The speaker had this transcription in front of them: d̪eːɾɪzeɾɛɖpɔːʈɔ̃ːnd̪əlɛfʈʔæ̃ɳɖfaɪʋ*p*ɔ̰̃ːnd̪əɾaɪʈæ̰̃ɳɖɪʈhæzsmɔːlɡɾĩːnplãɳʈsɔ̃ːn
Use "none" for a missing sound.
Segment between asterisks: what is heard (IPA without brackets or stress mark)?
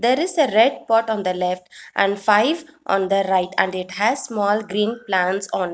ʔ